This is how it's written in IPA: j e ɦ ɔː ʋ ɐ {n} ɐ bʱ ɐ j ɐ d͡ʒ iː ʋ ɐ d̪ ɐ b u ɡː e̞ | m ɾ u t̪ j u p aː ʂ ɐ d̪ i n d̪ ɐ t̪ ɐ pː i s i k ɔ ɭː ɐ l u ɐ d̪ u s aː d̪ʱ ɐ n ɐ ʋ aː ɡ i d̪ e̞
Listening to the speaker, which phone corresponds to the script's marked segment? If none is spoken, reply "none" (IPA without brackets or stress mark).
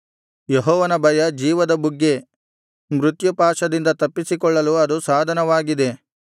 n